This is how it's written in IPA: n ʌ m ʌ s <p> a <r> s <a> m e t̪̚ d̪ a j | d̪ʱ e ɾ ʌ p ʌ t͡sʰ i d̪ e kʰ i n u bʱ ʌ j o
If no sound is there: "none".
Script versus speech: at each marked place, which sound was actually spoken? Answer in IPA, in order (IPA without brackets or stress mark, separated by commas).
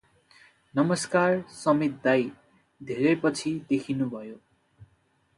k, r, ʌ